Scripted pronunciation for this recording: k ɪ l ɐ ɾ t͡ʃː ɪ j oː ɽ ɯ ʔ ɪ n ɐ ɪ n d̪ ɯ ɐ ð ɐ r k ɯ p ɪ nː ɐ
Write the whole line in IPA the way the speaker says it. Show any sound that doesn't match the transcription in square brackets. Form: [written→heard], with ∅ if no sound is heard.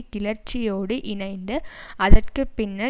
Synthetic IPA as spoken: k ɪ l ɐ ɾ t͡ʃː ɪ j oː ɽ ɯ ʔ ɪ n ɐ ɪ n d̪ ɯ ɐ ð ɐ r k ɯ p ɪ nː ɐ